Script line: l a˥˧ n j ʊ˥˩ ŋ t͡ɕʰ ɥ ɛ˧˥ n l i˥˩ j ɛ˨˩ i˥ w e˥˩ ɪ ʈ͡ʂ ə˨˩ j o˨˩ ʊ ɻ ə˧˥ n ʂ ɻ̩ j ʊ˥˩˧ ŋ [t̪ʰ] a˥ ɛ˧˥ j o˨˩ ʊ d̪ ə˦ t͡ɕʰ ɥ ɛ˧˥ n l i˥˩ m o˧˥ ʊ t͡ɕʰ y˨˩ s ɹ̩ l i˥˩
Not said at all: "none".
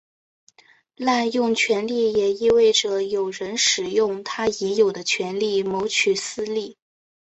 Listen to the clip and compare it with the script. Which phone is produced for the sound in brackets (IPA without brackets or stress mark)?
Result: t̪ʰ